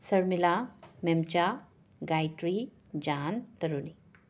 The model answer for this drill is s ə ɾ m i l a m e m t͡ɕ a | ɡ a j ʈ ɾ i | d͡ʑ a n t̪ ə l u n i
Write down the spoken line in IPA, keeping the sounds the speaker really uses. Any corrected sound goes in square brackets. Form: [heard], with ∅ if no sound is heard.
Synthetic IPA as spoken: s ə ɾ m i l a m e m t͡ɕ a | ɡ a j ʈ ɾ i | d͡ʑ a n t̪ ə [ɾ] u n i